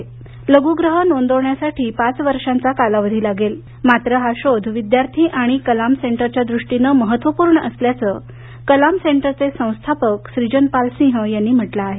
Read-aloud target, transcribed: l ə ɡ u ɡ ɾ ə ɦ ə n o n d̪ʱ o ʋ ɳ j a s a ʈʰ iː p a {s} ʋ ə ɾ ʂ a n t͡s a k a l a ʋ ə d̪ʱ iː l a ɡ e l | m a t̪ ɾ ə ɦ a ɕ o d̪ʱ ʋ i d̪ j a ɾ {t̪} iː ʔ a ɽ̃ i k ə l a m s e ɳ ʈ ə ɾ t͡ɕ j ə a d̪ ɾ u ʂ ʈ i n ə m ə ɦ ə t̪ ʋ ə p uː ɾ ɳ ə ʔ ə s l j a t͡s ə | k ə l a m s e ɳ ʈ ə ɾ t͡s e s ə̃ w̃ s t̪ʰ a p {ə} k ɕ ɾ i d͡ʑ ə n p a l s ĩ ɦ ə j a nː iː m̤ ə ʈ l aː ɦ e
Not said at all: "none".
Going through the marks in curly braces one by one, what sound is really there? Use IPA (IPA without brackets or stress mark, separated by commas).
t͡s, t̪ʰ, ə